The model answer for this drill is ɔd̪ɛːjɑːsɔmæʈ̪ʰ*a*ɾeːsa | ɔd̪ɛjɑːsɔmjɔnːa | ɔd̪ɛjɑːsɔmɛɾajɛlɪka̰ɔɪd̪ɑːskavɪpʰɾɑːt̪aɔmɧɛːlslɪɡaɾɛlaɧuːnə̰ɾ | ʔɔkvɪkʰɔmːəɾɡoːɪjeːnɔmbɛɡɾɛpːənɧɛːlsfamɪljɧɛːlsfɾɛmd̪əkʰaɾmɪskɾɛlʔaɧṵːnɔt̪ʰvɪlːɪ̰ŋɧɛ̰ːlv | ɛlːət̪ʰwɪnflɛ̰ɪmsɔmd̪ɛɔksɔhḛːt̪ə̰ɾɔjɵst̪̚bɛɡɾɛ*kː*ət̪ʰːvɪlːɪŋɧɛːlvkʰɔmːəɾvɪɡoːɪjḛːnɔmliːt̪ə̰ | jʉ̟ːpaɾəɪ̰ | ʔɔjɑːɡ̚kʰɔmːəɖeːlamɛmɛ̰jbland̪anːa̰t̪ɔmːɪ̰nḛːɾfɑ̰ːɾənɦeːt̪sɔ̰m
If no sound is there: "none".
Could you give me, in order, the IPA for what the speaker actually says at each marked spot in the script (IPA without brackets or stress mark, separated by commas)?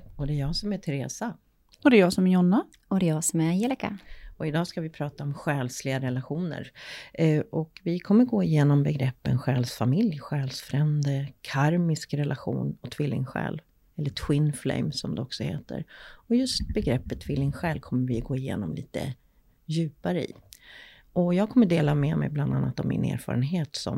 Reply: ɛ, pː